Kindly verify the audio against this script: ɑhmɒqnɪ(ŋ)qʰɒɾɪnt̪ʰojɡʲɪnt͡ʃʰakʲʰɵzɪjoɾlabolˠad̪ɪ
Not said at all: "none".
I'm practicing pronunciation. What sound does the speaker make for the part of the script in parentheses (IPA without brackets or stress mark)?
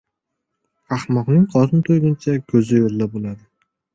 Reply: ŋ